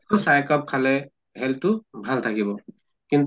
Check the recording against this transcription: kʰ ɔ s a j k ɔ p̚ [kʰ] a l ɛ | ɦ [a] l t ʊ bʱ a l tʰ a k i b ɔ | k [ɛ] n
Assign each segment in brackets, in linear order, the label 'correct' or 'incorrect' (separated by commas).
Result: correct, incorrect, incorrect